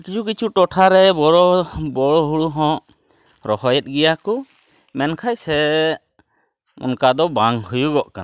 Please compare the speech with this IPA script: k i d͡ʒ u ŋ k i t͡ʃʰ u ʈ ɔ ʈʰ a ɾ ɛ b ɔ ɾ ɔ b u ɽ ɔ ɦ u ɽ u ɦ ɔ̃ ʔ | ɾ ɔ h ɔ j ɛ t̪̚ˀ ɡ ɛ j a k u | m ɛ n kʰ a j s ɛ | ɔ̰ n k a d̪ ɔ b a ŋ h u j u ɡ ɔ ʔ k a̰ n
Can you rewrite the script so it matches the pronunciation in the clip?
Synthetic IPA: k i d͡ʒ u k i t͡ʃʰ u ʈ ɔ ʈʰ a ɾ ɛ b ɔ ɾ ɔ b ɔ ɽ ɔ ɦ u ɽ u ɦ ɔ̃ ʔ | ɾ ɔ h ɔ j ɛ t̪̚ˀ ɡ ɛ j a k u | m ɛ n kʰ a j s ɛ | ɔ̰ n k a d̪ ɔ b a ŋ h u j u ɡ ɔ ʔ k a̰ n